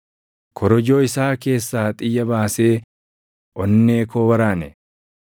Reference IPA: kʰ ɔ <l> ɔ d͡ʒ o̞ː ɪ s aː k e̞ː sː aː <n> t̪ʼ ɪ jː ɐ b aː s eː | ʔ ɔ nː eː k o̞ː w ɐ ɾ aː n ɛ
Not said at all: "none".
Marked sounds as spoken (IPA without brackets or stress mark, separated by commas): ɾ, none